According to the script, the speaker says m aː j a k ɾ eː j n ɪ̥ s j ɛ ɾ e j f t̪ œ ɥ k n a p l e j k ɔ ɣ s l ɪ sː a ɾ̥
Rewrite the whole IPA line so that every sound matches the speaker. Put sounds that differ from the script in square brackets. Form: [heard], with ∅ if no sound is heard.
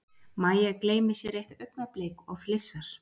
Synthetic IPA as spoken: m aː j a k [l] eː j [m] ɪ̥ s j ɛ ɾ e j [h] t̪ œ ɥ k n a p l e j k ɔ ɣ [f] l ɪ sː a ɾ̥